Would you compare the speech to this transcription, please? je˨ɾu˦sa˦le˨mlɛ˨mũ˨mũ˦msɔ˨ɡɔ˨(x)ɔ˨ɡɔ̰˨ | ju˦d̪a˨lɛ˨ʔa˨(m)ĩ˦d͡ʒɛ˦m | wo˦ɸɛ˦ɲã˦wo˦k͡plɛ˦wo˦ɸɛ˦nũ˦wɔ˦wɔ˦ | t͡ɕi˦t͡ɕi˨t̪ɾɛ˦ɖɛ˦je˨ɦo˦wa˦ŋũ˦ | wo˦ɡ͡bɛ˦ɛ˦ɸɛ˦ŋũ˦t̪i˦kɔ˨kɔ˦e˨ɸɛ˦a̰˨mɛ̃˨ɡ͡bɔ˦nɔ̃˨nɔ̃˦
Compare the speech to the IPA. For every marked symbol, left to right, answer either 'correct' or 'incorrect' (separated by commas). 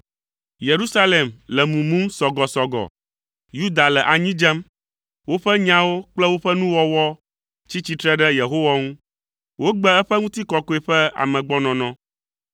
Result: incorrect, incorrect